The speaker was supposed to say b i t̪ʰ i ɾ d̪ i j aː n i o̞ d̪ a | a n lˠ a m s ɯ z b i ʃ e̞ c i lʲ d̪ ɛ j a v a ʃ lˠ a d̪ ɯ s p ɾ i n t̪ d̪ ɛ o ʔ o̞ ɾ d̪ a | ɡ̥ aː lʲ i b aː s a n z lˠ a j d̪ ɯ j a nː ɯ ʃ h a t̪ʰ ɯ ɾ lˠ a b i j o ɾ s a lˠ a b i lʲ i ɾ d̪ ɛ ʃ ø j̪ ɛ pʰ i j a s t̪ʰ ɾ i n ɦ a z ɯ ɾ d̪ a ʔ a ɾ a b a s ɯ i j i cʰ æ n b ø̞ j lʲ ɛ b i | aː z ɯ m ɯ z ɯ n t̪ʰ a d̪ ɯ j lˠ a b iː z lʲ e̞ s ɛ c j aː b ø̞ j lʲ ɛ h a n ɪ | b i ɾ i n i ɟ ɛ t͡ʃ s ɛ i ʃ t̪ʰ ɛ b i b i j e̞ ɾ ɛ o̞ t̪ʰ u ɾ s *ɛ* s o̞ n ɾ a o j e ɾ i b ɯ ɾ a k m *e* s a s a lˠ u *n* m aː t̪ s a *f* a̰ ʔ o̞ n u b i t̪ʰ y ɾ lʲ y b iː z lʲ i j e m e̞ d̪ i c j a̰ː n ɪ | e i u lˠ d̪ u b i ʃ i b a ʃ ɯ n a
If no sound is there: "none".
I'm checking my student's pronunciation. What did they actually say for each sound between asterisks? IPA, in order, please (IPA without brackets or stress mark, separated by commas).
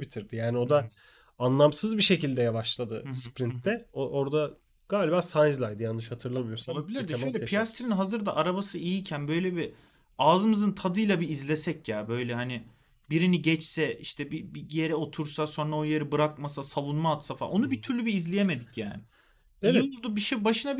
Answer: a, a, n, f